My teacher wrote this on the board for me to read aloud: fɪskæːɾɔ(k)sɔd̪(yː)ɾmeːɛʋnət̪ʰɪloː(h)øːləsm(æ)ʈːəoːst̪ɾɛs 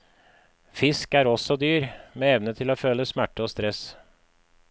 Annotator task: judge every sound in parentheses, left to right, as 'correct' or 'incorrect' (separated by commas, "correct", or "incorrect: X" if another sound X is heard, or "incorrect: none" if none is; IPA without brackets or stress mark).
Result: incorrect: none, correct, incorrect: f, correct